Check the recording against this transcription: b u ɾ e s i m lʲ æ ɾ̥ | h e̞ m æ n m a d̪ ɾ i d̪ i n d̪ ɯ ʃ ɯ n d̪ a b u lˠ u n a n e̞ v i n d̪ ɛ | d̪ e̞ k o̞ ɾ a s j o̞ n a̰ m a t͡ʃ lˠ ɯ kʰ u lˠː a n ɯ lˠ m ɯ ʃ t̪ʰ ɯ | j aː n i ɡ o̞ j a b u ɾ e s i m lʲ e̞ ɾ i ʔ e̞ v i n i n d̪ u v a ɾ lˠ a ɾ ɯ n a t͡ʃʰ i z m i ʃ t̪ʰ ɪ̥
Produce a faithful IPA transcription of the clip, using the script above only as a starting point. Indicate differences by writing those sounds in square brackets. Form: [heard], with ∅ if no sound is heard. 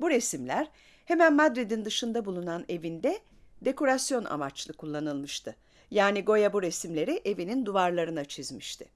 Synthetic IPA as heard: b u ɾ e s i m lʲ æ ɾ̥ | h e̞ m æ n m a d̪ ɾ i d̪ i n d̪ ɯ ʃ ɯ n d̪ a b u lˠ u n a n e̞ v i n d̪ ɛ | d̪ e̞ k o̞ ɾ a s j o̞ n a̰ m a t͡ʃ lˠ ɯ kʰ u lˠː a n ɯ lˠ m ɯ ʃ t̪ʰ ɯ | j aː n i ɡ o̞ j a b u ɾ e s i m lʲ e̞ ɾ i ʔ e̞ v i n i n d̪ u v a ɾ lˠ a ɾ ɯ n a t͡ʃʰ i z m i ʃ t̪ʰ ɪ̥